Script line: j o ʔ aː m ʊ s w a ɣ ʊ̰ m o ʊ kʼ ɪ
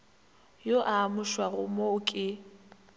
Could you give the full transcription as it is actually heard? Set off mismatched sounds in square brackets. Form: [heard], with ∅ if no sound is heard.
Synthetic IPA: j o ʔ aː m ʊ [ʃ] w a ɣ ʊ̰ m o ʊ kʼ ɪ